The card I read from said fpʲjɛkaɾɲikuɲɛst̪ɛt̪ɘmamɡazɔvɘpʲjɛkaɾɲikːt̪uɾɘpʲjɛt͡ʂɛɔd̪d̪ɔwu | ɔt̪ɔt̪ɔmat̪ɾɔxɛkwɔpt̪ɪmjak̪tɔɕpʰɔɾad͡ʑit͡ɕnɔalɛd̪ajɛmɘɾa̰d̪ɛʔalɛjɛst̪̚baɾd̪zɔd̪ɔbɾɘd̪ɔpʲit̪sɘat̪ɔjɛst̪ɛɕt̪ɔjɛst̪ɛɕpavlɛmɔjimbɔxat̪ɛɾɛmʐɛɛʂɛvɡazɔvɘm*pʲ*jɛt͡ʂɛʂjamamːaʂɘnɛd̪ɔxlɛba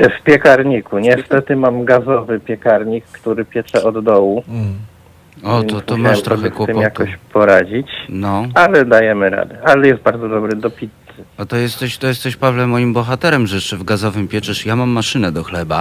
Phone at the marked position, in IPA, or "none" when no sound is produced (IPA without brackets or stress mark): pʲ